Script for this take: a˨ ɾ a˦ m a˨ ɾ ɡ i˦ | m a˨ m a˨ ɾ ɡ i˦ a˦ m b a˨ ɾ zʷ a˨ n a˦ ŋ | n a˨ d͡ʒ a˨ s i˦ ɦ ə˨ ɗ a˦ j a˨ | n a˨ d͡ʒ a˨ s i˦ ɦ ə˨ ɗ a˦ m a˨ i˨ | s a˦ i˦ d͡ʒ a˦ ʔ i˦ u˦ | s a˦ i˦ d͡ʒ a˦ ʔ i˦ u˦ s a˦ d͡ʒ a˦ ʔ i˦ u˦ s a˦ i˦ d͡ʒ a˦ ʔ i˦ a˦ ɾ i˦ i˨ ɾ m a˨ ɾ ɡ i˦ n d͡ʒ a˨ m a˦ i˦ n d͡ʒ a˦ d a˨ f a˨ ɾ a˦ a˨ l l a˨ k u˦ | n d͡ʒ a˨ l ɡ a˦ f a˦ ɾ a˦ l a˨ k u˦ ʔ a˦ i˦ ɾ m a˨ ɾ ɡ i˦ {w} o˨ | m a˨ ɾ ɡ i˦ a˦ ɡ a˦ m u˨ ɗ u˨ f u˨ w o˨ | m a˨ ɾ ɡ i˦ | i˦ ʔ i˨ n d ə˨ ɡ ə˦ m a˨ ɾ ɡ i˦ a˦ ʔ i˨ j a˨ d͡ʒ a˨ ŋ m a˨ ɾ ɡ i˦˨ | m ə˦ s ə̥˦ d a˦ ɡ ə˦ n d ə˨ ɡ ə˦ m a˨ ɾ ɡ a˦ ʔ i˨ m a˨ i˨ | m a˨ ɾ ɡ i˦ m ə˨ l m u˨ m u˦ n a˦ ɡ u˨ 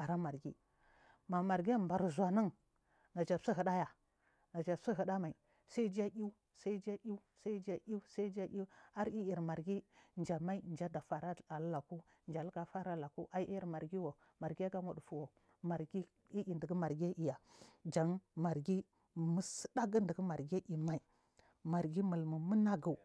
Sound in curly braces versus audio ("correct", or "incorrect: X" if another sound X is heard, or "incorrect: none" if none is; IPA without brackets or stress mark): correct